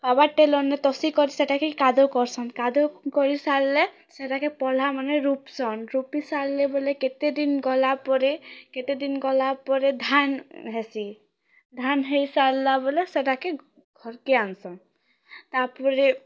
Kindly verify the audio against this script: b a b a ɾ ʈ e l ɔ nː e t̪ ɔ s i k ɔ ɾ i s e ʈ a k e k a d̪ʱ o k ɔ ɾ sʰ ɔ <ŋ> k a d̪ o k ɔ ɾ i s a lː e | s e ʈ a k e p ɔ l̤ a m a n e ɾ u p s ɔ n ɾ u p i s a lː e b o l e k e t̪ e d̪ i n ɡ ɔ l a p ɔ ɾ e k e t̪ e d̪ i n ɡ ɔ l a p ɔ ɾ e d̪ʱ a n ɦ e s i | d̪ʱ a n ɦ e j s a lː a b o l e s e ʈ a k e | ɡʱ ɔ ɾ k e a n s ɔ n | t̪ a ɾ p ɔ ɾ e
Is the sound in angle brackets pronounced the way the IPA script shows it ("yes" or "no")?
no